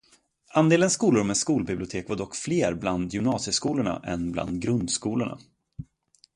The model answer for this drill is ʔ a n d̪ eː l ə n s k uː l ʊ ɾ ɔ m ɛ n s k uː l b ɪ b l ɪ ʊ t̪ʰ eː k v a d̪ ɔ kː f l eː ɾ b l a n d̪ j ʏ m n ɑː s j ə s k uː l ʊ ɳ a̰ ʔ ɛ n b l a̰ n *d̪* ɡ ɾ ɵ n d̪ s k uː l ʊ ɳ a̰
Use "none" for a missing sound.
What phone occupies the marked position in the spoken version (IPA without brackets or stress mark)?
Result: d̪